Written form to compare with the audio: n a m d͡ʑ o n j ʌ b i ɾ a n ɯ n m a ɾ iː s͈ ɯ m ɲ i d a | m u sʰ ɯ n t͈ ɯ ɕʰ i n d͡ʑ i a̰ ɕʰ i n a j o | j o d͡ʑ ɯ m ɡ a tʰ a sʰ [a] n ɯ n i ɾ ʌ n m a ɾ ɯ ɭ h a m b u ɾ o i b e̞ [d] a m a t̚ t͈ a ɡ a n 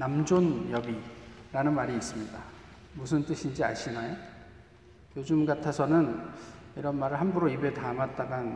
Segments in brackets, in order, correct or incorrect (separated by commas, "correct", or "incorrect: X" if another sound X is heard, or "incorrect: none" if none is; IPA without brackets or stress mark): incorrect: ʌ, incorrect: t